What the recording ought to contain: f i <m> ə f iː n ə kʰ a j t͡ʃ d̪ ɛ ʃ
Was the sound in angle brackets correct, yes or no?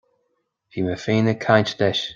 yes